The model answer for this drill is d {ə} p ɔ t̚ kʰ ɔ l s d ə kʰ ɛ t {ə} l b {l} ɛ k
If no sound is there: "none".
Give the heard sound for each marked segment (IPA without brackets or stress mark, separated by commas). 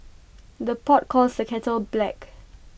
ə, ə, l